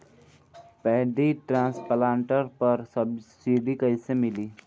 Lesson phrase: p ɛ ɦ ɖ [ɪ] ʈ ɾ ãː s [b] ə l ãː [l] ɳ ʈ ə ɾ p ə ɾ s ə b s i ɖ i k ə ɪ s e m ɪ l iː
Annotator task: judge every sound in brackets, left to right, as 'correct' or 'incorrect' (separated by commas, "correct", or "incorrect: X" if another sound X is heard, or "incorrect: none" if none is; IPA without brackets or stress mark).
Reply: incorrect: i, incorrect: p, incorrect: none